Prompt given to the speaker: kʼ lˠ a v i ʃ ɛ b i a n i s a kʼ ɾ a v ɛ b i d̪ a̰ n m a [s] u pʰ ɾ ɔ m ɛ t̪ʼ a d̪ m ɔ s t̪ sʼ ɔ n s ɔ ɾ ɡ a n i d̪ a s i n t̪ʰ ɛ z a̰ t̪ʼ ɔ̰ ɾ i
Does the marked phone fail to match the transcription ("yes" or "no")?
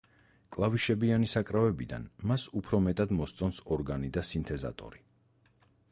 no